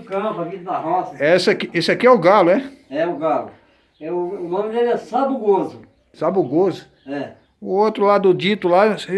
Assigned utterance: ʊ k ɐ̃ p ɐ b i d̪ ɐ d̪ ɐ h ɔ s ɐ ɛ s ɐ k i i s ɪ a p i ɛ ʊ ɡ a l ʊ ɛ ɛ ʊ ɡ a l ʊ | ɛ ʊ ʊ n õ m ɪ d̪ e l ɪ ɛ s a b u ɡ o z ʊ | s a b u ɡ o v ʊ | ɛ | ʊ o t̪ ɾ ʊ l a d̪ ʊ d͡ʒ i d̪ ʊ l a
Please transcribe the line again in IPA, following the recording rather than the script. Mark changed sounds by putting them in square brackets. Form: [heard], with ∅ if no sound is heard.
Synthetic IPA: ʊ k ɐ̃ p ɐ [v] i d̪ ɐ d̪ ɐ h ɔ s ɐ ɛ s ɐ k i [e] s ɪ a [k] i ɛ ʊ ɡ a l ʊ ɛ ɛ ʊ ɡ a l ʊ | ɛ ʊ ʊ n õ m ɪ d̪ e l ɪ ɛ s a b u ɡ o z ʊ | s a b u ɡ o [z] ʊ | ɛ | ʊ o t̪ ɾ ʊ l a d̪ ʊ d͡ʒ i [t̪] ʊ l a